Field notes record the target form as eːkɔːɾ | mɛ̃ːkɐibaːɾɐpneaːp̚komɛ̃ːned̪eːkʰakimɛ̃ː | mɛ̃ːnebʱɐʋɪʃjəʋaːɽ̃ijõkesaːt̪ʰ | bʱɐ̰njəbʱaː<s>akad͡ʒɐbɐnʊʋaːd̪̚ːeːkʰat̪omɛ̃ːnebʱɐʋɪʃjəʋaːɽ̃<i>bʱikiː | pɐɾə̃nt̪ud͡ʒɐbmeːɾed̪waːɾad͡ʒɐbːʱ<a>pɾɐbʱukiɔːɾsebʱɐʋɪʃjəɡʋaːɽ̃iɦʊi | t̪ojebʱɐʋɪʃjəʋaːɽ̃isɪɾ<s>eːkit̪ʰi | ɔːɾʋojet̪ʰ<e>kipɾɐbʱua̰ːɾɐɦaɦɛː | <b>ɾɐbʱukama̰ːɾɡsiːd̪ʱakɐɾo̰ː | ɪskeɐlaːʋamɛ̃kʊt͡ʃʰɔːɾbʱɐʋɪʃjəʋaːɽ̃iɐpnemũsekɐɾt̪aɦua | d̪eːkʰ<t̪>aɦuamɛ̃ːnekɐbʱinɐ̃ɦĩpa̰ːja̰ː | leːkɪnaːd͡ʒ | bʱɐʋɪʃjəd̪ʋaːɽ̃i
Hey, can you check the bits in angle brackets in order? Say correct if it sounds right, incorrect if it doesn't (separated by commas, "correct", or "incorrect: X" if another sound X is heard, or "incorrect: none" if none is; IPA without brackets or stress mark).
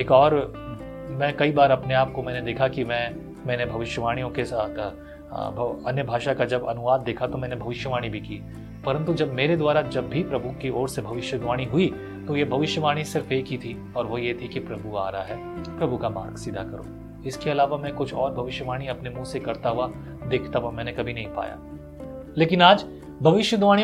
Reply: incorrect: ʃ, correct, incorrect: i, incorrect: f, incorrect: i, incorrect: p, correct